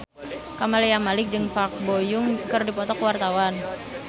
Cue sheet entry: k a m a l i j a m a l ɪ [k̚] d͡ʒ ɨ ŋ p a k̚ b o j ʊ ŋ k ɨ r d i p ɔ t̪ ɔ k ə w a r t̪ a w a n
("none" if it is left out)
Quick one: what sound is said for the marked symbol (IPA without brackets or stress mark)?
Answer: k̚